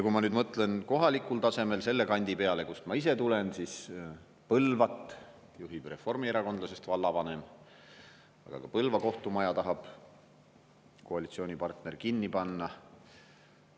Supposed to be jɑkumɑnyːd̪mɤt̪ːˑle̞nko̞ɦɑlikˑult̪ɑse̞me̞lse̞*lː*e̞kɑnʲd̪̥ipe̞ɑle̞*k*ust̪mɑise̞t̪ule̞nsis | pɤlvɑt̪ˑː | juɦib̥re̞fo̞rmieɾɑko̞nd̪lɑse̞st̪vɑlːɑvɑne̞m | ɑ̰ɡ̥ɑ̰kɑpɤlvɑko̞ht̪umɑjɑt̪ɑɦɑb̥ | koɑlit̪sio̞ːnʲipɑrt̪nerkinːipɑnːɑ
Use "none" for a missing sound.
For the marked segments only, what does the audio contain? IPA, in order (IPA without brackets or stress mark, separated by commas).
lː, k